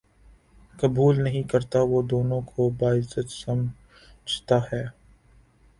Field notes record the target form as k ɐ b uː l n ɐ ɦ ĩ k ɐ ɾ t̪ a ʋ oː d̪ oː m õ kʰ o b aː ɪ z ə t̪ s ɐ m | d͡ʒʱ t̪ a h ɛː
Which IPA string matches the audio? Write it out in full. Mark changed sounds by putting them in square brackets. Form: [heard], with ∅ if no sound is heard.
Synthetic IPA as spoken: k ɐ b uː l n ɐ ɦ ĩ k ɐ ɾ t̪ a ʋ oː d̪ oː [n] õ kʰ o b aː ɪ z ə t̪ s ɐ m | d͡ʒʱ t̪ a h ɛː